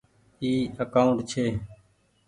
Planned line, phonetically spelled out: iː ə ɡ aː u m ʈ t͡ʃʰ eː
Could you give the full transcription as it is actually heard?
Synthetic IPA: iː ə k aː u ɳ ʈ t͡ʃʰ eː